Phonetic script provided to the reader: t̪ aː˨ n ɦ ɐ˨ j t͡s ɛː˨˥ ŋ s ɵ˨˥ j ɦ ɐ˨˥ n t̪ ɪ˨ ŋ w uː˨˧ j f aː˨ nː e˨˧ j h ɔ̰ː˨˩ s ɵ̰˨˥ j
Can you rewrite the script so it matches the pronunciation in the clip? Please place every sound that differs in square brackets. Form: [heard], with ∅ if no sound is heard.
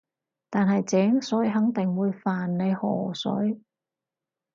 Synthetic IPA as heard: t̪ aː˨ n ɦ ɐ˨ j t͡s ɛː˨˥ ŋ s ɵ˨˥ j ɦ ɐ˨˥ [ŋ] t̪ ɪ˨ ŋ w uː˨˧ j f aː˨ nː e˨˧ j h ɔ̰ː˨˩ s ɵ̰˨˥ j